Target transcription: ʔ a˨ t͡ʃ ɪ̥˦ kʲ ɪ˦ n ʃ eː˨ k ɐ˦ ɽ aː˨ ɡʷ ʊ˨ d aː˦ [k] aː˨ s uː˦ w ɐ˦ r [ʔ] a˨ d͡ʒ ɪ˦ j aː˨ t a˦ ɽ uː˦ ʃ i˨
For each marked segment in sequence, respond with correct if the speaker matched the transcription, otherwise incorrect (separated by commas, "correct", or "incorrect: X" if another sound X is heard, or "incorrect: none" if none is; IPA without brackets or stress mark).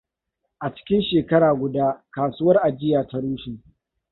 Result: correct, correct